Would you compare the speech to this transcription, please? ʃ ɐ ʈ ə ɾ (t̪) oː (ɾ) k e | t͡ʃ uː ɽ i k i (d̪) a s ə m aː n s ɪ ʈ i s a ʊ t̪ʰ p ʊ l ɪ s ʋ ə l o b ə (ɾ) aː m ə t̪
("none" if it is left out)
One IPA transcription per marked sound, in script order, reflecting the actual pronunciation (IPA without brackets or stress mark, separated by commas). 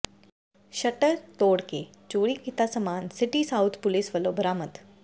t̪, ɽ, t̪, ɾ